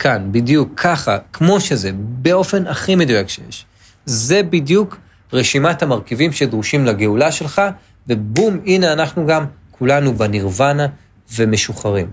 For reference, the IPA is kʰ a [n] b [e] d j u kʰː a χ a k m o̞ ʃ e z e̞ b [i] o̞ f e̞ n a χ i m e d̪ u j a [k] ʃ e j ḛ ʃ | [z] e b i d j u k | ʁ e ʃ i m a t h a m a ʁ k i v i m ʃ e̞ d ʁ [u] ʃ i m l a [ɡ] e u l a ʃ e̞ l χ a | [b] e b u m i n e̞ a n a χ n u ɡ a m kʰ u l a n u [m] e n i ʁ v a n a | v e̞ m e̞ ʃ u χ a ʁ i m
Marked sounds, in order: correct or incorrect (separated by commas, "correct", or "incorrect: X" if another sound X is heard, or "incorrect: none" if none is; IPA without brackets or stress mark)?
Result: correct, incorrect: i, incorrect: e, correct, correct, correct, correct, incorrect: v, incorrect: b